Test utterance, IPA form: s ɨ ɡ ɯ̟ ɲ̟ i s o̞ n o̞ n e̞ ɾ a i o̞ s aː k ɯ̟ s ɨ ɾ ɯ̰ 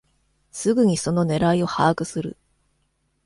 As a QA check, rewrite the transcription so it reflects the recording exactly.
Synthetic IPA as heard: s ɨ ɡ ɯ̟ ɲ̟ i s o̞ n o̞ n e̞ ɾ a i o̞ h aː k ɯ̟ s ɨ ɾ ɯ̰

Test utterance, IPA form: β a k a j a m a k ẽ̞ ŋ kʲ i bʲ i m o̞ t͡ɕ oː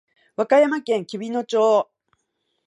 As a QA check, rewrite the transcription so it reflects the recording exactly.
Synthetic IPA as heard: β a k a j a m a k ẽ̞ ŋ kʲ i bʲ i n o̞ t͡ɕ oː

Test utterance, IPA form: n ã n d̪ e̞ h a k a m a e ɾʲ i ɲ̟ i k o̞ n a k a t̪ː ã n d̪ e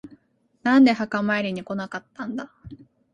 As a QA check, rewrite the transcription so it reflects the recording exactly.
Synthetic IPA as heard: n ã n d̪ e̞ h a k a m a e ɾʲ i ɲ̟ i k o̞ n a k a t̪ː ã n d̪ a

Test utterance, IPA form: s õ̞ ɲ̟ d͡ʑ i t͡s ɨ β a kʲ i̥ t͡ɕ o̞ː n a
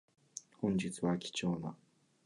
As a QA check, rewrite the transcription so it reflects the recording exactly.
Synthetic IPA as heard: h õ̞ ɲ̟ d͡ʑ i t͡s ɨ β a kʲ i̥ t͡ɕ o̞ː n a

